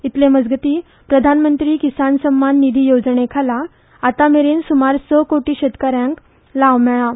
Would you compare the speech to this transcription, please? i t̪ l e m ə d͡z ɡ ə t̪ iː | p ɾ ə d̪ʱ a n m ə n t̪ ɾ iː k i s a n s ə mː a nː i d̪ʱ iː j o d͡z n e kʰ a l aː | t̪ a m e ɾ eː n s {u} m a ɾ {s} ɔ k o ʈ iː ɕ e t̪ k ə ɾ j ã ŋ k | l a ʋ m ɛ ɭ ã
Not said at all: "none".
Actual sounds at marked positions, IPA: u, s

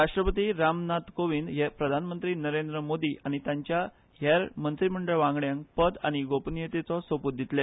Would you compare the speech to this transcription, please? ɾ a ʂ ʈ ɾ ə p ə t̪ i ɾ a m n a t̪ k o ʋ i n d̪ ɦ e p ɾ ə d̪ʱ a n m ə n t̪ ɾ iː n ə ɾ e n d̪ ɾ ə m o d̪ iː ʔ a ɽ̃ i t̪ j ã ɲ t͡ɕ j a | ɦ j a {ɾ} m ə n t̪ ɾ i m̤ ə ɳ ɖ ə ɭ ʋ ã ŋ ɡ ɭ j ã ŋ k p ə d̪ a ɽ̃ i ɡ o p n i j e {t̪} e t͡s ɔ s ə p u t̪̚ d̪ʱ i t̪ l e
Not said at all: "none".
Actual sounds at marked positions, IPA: ɾ, t̪

